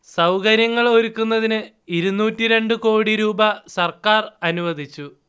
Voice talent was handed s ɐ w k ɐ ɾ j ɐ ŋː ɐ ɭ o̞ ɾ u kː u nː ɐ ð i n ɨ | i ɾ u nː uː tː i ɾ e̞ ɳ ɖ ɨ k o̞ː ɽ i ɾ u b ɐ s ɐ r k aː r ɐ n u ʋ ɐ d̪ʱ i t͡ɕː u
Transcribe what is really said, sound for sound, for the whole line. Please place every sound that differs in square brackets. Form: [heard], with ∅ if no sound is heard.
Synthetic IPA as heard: s ɐ w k ɐ ɾ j ɐ ŋː ɐ ɭ o̞ ɾ u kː u nː ɐ ð i n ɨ | i ɾ u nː uː tː i ɾ e̞ ɳ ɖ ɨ k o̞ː ɽ i ɾ [uː] b ɐ s ɐ r k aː r ɐ n u ʋ ɐ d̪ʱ i t͡ɕː u